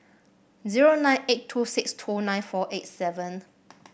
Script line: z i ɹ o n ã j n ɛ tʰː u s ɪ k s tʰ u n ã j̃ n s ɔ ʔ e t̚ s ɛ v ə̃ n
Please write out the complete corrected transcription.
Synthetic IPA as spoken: z i ɹ o n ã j n e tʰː u s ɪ k s tʰ u n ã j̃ n f ɔ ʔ e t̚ s ɛ v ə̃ n